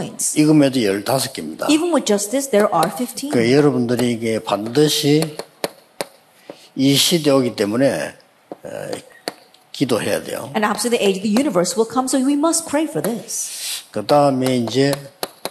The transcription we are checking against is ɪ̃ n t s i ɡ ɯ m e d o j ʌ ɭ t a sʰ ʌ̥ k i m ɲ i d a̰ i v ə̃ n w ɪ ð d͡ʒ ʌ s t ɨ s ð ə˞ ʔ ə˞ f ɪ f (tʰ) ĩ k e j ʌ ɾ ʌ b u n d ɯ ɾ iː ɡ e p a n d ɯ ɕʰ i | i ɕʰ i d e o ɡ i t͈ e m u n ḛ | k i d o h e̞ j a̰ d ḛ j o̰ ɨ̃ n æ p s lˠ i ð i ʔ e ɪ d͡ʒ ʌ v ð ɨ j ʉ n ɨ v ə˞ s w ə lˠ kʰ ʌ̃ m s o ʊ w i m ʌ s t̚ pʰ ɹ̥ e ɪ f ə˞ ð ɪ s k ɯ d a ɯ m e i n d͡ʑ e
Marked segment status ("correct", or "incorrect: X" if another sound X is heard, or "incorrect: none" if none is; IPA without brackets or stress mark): correct